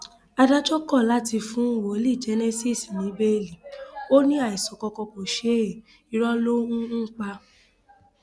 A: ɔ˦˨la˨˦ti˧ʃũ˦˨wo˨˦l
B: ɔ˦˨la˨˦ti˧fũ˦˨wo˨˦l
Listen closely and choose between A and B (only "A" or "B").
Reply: B